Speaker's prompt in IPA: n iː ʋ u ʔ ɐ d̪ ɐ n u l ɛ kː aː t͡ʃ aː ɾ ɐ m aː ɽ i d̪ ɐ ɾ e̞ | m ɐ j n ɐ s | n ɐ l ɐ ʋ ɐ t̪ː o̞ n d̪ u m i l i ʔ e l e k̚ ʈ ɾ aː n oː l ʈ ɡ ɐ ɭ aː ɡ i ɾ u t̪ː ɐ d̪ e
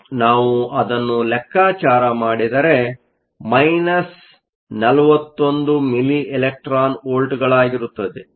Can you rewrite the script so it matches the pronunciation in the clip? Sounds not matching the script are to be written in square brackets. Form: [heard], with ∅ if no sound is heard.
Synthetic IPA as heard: n [aː] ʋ u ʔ ɐ d̪ ɐ [nː] u l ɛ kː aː t͡ʃ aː ɾ ɐ m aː ɽ i d̪ ɐ ɾ e̞ | m ɐ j n ɐ s | n ɐ l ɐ ʋ ɐ t̪ː o̞ n d̪ u m i l i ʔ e l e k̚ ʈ ɾ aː n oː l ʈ ɡ ɐ ɭ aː ɡ i ɾ u t̪ː ɐ d̪ e